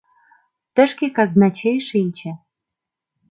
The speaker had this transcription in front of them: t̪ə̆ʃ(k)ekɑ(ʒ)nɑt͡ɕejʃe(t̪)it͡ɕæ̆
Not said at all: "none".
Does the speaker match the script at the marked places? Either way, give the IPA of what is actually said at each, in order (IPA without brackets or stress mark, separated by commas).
k, z, none